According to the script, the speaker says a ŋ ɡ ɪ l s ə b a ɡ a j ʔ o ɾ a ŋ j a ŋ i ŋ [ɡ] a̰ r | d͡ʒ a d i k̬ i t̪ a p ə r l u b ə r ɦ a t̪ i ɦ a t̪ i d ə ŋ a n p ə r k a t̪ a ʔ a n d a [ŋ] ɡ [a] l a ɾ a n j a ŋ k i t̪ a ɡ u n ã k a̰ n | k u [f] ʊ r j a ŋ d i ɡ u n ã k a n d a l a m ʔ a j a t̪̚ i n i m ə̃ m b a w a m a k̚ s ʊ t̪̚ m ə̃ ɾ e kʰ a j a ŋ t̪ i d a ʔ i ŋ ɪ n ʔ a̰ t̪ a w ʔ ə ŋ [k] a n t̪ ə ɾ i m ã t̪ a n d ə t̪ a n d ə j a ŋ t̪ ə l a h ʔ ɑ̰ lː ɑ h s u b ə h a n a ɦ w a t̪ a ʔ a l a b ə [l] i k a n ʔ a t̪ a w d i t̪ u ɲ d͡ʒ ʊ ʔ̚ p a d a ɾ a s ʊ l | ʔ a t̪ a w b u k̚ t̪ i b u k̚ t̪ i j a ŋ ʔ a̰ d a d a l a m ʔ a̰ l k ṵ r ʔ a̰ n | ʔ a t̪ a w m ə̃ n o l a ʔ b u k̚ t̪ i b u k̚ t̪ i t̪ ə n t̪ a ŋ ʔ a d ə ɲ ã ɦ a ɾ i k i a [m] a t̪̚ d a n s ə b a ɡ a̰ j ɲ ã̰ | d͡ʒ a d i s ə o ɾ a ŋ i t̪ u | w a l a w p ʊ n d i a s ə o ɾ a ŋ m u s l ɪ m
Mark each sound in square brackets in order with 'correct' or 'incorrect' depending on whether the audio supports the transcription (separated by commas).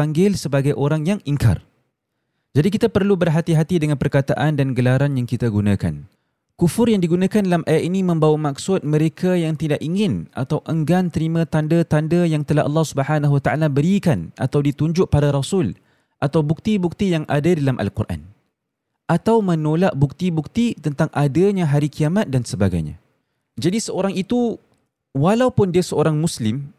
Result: incorrect, incorrect, incorrect, correct, incorrect, incorrect, correct